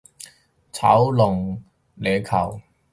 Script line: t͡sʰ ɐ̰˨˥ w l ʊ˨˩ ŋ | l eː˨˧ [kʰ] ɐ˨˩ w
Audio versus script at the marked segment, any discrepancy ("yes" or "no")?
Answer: no